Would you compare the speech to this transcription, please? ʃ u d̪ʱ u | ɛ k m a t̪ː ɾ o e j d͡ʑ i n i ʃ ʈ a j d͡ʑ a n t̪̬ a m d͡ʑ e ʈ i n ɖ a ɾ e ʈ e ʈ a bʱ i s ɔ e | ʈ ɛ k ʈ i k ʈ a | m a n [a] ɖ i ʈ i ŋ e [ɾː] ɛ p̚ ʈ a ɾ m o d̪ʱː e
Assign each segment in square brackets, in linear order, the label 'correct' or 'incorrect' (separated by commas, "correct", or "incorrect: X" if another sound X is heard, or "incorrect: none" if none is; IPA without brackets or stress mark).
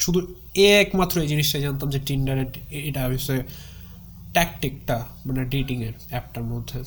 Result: incorrect: e, incorrect: ɾ